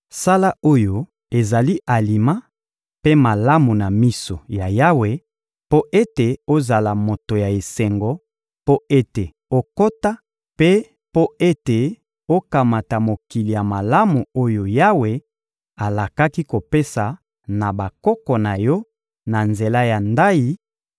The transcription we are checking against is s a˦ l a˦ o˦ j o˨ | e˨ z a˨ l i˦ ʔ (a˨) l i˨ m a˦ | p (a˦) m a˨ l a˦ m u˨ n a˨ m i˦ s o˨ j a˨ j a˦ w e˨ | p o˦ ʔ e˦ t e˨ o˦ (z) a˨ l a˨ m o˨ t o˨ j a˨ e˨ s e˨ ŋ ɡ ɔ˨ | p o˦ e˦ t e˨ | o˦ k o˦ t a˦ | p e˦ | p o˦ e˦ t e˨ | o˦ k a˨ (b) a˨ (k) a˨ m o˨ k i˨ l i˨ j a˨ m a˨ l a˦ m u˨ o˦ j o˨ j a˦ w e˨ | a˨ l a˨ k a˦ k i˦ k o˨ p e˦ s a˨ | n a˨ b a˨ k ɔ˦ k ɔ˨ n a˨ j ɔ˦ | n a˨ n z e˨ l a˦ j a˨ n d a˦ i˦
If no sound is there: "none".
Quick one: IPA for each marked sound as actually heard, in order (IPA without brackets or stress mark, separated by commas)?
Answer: a˨, e˦, z, m, t